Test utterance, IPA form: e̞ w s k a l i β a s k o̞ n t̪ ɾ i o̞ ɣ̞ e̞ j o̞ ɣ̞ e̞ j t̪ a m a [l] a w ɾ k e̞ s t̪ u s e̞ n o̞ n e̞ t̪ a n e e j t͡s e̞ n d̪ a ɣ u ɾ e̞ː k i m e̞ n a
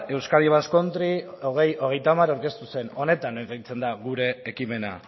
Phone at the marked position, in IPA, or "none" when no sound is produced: ɾ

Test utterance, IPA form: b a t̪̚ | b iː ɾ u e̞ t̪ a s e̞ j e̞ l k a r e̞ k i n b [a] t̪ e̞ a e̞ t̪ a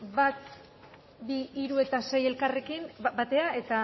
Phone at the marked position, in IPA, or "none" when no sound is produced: a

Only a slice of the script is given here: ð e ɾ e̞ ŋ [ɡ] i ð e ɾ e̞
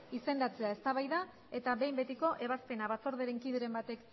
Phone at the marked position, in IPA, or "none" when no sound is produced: k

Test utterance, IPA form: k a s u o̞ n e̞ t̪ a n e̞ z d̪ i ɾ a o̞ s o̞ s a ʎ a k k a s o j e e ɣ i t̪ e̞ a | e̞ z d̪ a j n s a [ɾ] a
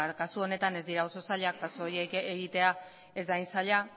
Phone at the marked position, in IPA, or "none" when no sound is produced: ʎ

